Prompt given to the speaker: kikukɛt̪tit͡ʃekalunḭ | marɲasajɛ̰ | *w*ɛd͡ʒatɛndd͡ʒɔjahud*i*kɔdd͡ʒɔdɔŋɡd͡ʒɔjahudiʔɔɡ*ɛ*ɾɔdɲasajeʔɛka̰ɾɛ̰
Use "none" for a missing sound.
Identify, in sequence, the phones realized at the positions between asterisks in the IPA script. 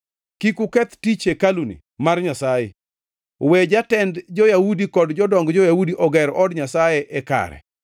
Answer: w, i, ɛ

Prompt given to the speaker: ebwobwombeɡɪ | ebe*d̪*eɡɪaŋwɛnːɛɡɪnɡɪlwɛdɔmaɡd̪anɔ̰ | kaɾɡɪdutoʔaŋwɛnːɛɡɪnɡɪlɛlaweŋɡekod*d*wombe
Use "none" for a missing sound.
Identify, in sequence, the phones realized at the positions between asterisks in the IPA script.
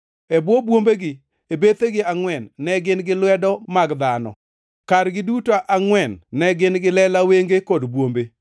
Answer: t̪, b

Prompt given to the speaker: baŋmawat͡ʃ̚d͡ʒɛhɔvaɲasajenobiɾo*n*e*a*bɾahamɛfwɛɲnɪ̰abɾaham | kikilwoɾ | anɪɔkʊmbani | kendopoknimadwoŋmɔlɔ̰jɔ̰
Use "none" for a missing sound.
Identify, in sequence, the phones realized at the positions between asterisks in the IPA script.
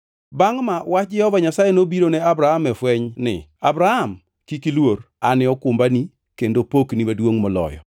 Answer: n, a

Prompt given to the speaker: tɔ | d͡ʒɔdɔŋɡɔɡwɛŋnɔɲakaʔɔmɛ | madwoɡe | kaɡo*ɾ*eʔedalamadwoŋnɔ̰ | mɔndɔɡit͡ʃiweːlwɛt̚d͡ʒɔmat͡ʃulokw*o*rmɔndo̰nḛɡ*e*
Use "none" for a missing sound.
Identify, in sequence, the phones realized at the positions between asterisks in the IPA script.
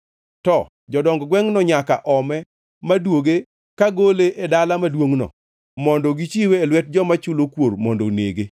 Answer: l, o, e

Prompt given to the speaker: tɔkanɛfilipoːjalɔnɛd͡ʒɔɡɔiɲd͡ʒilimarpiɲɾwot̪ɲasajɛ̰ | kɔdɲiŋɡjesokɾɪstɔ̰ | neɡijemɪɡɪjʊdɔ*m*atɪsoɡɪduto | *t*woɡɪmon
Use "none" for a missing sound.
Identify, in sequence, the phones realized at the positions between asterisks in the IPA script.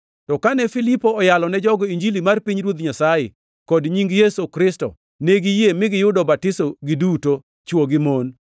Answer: b, t͡ʃ

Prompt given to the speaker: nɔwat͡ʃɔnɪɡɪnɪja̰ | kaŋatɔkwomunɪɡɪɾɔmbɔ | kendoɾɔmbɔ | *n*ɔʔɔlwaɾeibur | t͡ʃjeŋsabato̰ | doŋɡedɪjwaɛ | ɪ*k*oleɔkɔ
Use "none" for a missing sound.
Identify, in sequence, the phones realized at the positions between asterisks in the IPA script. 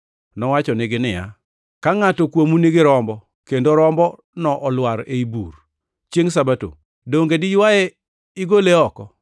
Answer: n, ɡ

